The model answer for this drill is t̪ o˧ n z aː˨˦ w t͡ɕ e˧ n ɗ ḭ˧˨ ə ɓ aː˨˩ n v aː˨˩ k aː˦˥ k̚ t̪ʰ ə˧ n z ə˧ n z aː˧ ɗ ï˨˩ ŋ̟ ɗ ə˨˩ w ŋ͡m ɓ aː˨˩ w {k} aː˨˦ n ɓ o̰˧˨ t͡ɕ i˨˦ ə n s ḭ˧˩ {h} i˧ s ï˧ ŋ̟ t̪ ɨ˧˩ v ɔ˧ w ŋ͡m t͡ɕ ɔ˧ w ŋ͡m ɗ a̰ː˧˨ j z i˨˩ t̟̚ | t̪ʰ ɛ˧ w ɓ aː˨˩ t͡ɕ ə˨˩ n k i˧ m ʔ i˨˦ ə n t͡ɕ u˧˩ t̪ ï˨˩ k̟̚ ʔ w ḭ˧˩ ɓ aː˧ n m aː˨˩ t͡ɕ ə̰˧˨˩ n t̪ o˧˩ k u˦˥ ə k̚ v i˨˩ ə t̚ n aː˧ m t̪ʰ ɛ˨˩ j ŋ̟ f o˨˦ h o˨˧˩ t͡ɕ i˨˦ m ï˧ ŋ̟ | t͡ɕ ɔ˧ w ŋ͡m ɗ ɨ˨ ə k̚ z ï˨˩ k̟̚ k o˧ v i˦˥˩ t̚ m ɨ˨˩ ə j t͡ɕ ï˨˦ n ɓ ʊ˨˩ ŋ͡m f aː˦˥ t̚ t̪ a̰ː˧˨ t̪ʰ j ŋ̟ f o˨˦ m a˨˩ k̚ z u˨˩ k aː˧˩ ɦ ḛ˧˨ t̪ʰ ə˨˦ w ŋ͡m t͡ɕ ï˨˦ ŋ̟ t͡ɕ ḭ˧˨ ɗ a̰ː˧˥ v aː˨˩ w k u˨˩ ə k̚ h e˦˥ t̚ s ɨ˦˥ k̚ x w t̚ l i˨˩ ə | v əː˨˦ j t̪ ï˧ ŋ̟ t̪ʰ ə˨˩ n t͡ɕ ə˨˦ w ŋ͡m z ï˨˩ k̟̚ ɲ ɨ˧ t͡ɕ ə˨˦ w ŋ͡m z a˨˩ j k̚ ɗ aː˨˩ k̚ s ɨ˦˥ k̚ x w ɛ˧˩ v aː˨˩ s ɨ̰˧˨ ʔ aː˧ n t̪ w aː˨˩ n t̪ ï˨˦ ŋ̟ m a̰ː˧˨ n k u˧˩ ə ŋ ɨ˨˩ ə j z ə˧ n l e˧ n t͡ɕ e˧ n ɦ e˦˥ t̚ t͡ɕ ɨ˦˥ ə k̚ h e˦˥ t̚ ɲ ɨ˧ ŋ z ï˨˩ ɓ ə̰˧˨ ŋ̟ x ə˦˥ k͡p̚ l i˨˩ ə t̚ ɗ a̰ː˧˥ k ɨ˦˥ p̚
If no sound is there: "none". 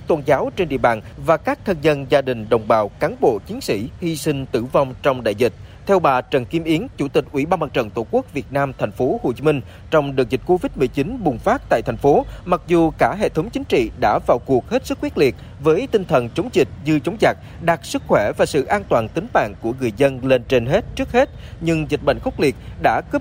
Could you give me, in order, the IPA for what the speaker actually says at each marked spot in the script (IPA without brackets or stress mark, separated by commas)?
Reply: k, h